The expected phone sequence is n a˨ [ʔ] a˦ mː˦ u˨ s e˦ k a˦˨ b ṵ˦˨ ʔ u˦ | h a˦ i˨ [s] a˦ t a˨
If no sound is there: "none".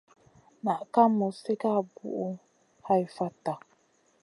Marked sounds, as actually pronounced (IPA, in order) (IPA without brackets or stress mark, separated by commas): k, f